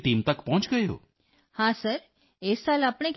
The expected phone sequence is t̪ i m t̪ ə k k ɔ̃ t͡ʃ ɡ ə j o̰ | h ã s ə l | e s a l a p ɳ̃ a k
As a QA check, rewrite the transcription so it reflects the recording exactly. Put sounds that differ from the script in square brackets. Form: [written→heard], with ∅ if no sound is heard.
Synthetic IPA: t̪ i m t̪ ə k [k→p] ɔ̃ t͡ʃ ɡ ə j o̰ | h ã s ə [l→ɾ] | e s a l a p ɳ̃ [a→e] k